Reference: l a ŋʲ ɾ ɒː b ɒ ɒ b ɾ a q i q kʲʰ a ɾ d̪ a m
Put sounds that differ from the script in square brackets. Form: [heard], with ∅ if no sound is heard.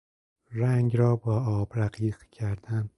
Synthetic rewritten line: [ɾ] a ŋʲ ɾ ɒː b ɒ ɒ b ɾ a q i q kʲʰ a ɾ d̪ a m